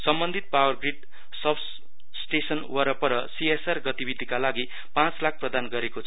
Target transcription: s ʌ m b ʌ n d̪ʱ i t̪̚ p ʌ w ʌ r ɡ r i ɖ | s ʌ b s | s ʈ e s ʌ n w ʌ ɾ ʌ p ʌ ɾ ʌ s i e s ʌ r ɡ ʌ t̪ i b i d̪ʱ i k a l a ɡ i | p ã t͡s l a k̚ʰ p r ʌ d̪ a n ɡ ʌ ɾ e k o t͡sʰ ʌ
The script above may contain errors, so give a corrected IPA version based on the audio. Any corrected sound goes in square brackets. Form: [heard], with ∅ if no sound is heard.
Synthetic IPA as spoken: s ʌ m b ʌ n d̪ʱ i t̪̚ p [a] w ʌ r ɡ r i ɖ | s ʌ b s | s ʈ e s ʌ n w ʌ ɾ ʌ p ʌ ɾ ʌ s i e s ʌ r ɡ ʌ t̪ i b i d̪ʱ i k a l a ɡ i | p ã t͡s l a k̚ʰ p r ʌ d̪ a n ɡ ʌ ɾ e k o t͡sʰ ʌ

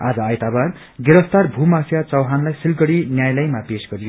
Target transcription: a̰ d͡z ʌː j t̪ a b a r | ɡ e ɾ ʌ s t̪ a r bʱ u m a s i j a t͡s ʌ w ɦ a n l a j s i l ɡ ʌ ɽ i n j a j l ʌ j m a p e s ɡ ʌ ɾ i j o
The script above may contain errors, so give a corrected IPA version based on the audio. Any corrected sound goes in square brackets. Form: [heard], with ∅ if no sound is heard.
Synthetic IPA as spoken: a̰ d͡z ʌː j t̪ a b a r | ɡ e ɾ ʌ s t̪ a r bʱ u m a s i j a t͡s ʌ w ɦ a n l a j s i l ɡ ʌ ɽ i n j a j l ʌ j m a p e s ɡ ʌ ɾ i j o

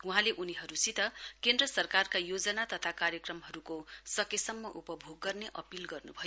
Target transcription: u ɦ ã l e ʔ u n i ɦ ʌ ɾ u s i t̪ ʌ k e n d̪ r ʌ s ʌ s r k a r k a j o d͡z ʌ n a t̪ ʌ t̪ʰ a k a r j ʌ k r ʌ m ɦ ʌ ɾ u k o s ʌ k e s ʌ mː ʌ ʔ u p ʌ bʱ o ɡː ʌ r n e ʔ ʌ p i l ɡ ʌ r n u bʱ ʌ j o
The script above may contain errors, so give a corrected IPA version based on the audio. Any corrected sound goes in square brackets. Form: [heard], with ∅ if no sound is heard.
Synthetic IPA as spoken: u ɦ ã l e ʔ u n i ɦ ʌ ɾ u s i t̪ ʌ k e n d̪ r ʌ s ʌ [∅] r k a r k a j o d͡z ʌ n a t̪ ʌ t̪ʰ a k a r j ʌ k r ʌ m ɦ ʌ ɾ u k o s ʌ k e s ʌ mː ʌ ʔ u p ʌ bʱ o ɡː ʌ r n e ʔ ʌ p i l ɡ ʌ r n u bʱ ʌ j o

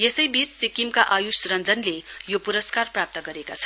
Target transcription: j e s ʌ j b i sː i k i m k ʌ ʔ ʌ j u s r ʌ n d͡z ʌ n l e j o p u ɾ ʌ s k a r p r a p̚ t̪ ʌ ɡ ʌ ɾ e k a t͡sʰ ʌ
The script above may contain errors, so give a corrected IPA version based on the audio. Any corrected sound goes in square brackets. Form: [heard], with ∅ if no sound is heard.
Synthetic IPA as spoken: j e s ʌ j b i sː i k i m k [a] ʔ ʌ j u s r ʌ n d͡z ʌ n l e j o p u ɾ ʌ s k a r p r a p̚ t̪ ʌ ɡ ʌ ɾ e k a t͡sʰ ʌ

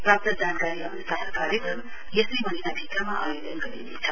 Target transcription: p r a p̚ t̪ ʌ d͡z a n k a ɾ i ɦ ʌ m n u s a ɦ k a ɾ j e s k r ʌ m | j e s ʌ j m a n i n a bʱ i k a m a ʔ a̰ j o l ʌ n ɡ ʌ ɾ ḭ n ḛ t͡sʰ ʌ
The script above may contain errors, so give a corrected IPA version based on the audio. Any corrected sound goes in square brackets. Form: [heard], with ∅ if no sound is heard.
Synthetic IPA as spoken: p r a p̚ t̪ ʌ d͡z a n k a ɾ i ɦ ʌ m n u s a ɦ k a ɾ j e [∅] k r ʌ m | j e s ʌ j m [ʌ] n i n a bʱ i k a m a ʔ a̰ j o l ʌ n ɡ ʌ ɾ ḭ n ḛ t͡sʰ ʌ

